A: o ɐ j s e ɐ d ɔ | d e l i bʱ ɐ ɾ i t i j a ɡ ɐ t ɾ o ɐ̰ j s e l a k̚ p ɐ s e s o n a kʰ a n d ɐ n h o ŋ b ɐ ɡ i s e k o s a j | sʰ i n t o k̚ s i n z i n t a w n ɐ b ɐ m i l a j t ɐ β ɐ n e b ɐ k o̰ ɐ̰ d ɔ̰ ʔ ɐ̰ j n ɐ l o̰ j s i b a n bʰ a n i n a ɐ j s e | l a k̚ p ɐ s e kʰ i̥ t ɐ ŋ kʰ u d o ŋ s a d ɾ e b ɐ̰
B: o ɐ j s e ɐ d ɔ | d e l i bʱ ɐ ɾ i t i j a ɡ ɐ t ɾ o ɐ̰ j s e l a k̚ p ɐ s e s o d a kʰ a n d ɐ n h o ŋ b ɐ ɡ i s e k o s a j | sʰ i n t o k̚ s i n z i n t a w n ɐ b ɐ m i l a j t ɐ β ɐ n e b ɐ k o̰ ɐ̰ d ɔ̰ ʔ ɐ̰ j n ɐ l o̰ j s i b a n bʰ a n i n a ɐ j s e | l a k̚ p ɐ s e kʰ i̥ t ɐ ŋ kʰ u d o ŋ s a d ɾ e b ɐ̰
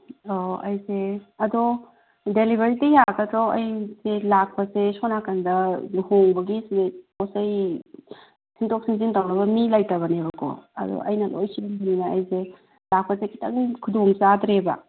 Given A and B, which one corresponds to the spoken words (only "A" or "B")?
A